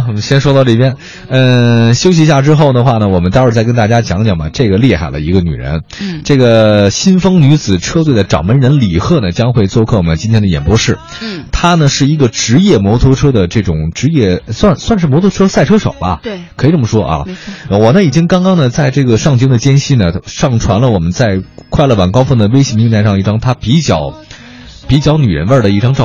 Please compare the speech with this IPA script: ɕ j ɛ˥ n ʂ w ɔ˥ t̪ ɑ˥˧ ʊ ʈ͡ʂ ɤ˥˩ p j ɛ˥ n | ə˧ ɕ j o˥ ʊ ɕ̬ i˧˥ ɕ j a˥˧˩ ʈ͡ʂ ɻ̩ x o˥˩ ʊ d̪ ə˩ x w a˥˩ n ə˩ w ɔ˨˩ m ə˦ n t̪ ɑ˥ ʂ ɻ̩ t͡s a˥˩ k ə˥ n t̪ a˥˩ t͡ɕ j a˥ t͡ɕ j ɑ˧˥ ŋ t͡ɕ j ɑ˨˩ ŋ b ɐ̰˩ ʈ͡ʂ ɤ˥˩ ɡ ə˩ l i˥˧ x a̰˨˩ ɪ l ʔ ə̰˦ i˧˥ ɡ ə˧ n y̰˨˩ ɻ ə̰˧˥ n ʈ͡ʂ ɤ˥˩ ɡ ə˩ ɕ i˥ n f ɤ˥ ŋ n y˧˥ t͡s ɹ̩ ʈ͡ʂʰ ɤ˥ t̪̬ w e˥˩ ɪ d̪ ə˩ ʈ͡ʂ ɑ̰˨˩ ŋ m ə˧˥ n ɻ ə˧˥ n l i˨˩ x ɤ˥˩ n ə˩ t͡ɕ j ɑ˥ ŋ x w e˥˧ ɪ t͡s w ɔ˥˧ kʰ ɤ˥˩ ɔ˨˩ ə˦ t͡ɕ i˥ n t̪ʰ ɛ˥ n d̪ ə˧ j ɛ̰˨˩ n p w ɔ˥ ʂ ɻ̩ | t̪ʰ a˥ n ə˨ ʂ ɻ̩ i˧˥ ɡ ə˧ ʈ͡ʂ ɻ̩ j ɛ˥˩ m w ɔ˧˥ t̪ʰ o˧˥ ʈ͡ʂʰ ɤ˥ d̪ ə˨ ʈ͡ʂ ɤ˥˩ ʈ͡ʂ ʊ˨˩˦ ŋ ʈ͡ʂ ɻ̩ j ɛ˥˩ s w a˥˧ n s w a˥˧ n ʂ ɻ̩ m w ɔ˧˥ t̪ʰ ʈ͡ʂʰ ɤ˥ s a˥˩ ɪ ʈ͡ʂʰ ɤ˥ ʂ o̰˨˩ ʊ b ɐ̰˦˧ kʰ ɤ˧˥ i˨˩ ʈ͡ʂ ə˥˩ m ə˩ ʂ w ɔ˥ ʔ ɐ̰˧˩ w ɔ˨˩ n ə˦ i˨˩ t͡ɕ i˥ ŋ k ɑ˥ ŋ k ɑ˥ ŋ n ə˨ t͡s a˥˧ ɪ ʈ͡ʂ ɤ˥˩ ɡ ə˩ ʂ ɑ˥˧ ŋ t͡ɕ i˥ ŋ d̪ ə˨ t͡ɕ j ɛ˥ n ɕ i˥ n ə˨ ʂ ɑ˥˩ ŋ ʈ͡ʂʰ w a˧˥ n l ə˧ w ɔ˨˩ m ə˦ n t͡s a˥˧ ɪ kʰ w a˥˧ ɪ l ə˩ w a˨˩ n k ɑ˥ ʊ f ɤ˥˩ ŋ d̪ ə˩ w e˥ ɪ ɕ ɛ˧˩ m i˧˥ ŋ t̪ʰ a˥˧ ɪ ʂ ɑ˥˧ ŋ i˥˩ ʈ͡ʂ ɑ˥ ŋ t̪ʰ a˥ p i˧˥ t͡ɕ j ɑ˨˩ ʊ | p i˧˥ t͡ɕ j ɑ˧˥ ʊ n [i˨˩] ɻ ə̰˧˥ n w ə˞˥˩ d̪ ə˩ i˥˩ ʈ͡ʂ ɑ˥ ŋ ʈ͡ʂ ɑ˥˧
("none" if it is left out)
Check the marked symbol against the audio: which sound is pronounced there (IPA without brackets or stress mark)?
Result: y˨˩